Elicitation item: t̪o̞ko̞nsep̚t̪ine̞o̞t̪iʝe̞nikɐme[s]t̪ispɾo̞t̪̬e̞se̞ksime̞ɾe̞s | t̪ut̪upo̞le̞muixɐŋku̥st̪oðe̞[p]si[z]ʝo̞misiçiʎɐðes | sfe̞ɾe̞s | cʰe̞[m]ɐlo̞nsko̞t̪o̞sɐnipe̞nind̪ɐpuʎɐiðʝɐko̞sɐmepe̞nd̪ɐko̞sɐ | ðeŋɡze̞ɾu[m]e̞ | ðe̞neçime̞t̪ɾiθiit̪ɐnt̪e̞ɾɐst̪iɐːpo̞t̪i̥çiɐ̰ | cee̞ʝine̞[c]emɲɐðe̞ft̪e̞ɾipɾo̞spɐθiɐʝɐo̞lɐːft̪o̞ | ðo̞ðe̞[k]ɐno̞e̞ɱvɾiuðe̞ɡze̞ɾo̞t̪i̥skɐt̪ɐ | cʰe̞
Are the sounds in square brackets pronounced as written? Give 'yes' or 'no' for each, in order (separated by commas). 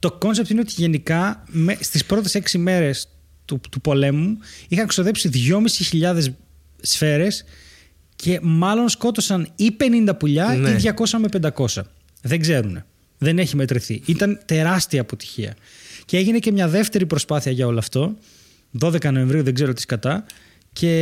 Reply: yes, yes, no, yes, no, yes, yes